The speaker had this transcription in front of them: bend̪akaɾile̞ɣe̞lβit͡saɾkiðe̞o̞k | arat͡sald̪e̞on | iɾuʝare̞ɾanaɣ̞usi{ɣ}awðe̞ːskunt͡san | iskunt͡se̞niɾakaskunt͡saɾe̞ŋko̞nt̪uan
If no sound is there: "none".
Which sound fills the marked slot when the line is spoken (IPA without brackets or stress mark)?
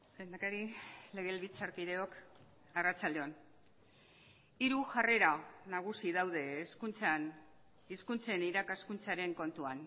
ð